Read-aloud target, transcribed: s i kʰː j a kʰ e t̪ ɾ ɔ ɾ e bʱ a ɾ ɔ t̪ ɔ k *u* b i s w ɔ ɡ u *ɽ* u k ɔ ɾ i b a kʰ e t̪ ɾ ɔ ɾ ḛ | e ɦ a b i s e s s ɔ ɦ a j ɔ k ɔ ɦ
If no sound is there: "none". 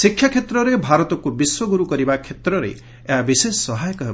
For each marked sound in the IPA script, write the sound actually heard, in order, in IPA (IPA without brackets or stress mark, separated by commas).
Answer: u, ɾ